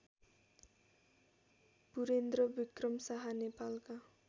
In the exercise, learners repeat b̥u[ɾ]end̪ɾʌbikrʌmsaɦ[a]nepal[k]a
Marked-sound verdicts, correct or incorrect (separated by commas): correct, correct, correct